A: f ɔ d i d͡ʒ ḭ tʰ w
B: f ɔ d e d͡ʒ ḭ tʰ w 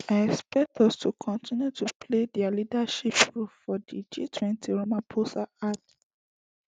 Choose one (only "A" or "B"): A